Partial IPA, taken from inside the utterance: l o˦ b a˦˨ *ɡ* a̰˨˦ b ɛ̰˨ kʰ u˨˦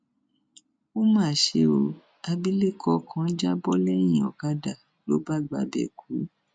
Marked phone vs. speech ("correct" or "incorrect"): incorrect